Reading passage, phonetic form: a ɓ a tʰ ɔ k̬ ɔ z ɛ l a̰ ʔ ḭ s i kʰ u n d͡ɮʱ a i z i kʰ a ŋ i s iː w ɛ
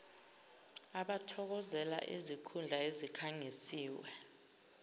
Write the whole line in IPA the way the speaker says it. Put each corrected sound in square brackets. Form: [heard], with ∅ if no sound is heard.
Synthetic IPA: a ɓ a tʰ ɔ k̬ ɔ z ɛ l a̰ ʔ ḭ [z] i kʰ u n d͡ɮʱ a [e] z i kʰ a ŋ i s iː w ɛ